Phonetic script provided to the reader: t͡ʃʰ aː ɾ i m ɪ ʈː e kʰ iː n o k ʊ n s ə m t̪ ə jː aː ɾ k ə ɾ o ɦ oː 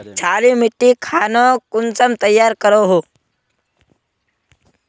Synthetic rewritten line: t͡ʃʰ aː ɾ i m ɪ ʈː i kʰ aː n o k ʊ n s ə m t̪ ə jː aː ɾ k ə ɾ o ɦ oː